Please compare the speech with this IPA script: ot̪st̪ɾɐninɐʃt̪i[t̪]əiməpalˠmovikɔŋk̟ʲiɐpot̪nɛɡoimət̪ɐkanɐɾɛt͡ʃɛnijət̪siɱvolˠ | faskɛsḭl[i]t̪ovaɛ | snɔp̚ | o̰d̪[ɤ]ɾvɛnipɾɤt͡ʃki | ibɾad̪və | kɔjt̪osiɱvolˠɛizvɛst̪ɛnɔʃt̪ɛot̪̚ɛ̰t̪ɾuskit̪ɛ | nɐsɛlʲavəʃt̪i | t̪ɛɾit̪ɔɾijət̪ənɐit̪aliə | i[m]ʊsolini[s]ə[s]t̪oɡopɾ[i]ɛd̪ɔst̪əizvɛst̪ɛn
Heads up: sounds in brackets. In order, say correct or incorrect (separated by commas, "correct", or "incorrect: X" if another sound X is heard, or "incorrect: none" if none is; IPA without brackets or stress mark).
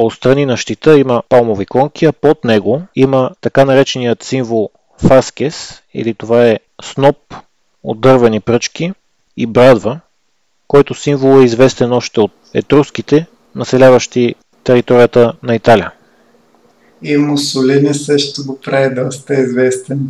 correct, correct, correct, correct, correct, incorrect: ʃ, incorrect: a